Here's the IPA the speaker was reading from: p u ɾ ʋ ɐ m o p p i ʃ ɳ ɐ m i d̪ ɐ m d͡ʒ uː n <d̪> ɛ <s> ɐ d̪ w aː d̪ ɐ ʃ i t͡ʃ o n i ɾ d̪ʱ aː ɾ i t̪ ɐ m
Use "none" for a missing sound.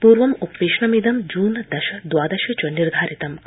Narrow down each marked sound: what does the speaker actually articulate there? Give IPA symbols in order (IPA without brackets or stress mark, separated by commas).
d̪, ʃ